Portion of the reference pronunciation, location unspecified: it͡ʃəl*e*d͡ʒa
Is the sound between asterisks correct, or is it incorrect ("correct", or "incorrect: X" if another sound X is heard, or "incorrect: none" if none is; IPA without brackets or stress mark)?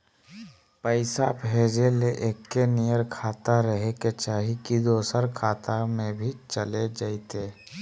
correct